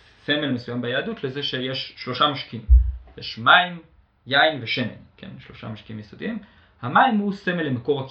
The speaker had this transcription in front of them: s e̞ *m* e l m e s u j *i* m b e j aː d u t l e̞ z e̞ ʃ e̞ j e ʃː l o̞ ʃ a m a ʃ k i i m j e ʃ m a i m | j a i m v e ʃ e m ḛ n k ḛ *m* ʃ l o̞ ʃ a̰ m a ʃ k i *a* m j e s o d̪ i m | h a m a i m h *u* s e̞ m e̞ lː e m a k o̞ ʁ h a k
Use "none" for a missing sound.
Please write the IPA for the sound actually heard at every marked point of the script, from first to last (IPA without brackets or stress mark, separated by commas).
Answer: m, a, n, i, u